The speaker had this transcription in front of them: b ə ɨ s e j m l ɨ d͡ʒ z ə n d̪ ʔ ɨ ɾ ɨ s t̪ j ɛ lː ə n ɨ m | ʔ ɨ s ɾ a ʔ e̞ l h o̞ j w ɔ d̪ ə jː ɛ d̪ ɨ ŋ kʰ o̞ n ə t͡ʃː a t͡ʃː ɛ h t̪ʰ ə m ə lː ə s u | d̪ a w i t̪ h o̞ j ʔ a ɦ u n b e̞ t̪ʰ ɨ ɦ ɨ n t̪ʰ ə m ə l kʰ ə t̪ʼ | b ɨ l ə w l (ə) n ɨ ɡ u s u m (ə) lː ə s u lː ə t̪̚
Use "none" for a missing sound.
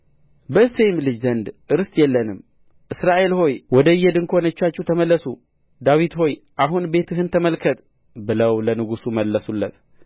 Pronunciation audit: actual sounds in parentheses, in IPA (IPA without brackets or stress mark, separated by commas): ə, ə